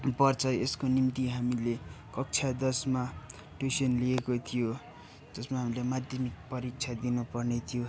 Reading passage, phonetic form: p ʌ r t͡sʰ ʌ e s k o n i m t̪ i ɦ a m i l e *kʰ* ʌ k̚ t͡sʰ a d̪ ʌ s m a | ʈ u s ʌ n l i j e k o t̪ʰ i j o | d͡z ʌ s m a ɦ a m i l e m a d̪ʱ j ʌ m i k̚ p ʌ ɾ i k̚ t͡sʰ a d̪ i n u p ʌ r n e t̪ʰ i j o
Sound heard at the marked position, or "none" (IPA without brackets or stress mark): k